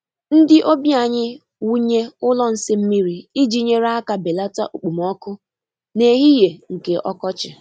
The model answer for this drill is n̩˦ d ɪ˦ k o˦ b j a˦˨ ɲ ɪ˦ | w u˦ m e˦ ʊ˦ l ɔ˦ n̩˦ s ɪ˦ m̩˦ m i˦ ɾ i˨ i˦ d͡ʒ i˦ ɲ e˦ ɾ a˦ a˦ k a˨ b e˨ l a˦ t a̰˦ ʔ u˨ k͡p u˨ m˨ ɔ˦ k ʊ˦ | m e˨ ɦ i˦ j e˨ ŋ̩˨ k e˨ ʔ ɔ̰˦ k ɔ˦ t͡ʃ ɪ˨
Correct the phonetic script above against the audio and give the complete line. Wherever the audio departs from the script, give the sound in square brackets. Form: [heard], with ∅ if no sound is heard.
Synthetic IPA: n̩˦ d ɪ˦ [ʔ] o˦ b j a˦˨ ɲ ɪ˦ | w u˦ [ɲ] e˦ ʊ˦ l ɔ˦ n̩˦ s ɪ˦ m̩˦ m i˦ ɾ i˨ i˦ d͡ʒ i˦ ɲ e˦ ɾ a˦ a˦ k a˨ b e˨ l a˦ t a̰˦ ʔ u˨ k͡p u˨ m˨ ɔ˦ k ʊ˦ | [n] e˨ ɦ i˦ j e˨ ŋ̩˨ k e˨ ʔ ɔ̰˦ k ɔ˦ t͡ʃ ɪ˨